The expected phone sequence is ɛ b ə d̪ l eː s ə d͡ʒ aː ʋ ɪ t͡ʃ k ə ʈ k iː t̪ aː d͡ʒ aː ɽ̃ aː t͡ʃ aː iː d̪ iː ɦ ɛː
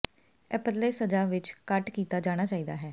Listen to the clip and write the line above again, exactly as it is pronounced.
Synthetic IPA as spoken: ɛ p ə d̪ l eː s ə d͡ʒ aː ʋ ɪ t͡ʃ k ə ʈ k iː t̪ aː d͡ʒ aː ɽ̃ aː t͡ʃ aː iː d̪ aː ɦ ɛː